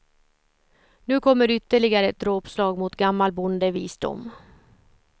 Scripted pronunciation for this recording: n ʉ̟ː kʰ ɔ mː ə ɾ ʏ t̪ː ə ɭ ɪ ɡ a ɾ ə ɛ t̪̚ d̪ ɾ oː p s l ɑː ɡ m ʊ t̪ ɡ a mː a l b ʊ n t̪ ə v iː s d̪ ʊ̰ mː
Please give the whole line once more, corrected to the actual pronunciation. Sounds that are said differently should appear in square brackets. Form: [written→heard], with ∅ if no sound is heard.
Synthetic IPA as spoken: n ʉ̟ː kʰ ɔ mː ə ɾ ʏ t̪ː ə ɭ ɪ ɡ a ɾ ə ɛ t̪̚ d̪ ɾ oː p s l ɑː ɡ m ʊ t̪ ɡ a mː a l b ʊ n [t̪→d̪] ə v iː s d̪ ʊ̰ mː